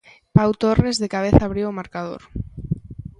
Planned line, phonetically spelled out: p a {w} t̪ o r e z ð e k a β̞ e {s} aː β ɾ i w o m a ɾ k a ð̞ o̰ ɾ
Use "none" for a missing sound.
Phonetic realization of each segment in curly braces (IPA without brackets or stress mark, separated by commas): w, θ